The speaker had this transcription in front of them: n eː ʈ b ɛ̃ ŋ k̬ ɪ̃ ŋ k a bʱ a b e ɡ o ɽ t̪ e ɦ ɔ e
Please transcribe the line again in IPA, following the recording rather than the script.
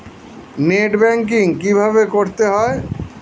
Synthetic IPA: n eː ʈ b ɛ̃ ŋ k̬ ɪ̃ ŋ k i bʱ a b e k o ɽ t̪ e ɦ ɔ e

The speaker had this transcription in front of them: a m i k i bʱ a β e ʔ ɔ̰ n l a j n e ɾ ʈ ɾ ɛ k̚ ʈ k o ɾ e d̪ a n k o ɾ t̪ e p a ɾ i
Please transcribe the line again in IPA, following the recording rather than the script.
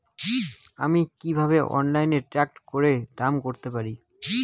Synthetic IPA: a m i k i bʱ a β e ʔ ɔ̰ n l a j n e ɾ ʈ ɾ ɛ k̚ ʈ k o ɾ e d̪ a m k o ɾ t̪ e p a ɾ i

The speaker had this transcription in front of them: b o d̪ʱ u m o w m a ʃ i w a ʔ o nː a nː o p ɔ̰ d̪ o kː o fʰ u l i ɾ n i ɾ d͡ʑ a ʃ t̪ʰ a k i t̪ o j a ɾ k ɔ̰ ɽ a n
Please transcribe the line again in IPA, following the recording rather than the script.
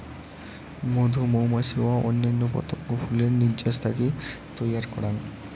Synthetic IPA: m o d̪ʱ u m o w m a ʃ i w a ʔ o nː a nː o p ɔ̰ t̪ o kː o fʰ u l e ɾ n i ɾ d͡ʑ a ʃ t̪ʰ a k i t̪ o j a ɾ k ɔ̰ ɽ a n

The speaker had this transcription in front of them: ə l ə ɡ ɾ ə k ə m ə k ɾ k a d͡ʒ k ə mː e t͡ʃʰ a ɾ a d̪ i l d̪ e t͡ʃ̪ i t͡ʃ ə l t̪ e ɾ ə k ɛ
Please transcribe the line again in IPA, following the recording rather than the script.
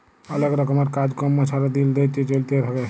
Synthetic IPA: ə l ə ɡ ɾ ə k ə m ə ɾ k a d͡ʒ k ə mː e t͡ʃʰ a ɾ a d̪ i l d̪ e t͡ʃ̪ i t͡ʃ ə l t̪ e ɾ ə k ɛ

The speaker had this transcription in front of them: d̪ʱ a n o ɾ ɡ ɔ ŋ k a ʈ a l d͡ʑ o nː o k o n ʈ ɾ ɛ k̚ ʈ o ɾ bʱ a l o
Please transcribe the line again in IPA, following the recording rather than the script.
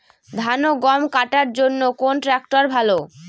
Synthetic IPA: d̪ʱ a n o ɡ ɔ m k a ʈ a ɾ d͡ʑ o nː o k o n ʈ ɾ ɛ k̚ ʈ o ɾ bʱ a l o

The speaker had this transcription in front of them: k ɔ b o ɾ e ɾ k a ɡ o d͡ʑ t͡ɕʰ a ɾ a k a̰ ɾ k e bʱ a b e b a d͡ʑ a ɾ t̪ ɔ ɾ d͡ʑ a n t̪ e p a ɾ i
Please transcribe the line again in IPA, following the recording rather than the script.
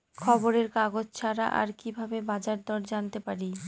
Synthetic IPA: kʰ ɔ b o ɾ e ɾ k a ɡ o d͡ʑ t͡ɕʰ a ɾ a ʔ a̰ ɾ k i bʱ a b e b a d͡ʑ a ɾ d̪ ɔ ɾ d͡ʑ a n t̪ e p a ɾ i

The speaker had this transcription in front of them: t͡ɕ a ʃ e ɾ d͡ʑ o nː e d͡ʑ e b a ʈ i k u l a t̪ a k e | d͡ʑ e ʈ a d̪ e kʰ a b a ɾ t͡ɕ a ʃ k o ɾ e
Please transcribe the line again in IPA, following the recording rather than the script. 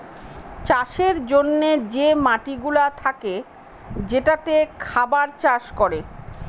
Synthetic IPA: t͡ɕ a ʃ e ɾ d͡ʑ o nː e d͡ʑ e m a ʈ i ɡ u l a t̪ʰ a k e | d͡ʑ e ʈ a t̪ e kʰ a b a ɾ t͡ɕ a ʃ k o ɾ e

